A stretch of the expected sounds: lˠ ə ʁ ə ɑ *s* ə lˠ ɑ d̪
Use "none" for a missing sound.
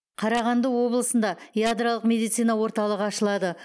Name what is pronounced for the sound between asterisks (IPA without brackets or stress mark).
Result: ʃ